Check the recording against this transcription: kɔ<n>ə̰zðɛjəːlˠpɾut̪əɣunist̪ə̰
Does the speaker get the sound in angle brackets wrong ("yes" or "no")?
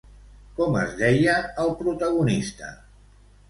yes